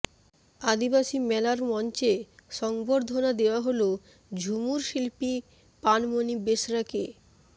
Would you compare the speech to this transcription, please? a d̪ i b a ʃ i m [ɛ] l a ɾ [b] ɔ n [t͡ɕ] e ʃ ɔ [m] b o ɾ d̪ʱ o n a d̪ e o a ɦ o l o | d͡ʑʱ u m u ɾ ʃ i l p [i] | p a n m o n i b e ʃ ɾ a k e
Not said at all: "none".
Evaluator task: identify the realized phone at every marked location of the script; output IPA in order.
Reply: ɛ, m, t͡ɕ, ŋ, i

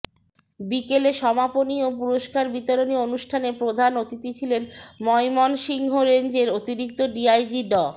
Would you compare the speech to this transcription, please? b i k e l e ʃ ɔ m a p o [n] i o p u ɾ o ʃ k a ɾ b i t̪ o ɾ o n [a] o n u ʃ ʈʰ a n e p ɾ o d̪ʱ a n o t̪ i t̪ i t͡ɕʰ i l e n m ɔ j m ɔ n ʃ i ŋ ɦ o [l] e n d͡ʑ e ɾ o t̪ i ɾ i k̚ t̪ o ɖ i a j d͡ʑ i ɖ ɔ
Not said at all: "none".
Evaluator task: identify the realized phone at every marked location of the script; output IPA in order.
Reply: n, i, ɾ

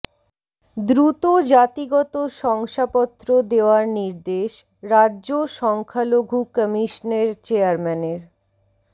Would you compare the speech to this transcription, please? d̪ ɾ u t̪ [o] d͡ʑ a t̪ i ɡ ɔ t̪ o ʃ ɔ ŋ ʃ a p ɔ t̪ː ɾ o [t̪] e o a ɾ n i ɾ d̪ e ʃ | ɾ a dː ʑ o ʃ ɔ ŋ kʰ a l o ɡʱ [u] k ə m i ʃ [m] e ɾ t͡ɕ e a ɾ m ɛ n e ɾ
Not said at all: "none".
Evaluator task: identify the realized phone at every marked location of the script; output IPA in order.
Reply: o, d̪, u, n

